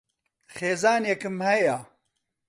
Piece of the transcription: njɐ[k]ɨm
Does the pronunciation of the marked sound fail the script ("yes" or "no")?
no